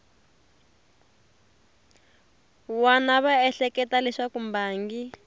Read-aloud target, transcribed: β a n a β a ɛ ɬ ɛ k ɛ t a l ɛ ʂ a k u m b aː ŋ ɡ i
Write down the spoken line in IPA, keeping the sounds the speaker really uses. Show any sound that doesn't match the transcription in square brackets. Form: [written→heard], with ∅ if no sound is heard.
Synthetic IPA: [β→w] a n a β a ɛ ɬ ɛ k ɛ t a l ɛ ʂ a k u m b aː ŋ ɡ i